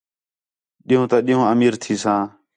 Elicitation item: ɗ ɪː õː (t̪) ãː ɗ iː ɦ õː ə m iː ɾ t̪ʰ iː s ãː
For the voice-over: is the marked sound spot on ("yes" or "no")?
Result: yes